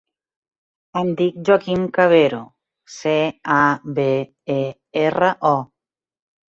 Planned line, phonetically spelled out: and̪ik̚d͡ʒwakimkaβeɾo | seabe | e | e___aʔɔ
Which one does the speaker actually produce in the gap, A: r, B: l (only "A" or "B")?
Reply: A